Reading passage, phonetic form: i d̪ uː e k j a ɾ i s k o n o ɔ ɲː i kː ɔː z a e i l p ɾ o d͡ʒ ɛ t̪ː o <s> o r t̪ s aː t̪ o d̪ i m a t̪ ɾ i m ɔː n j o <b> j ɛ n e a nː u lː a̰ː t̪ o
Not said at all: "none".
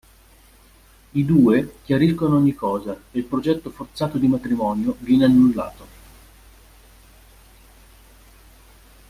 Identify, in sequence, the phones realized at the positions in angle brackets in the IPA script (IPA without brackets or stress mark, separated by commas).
f, v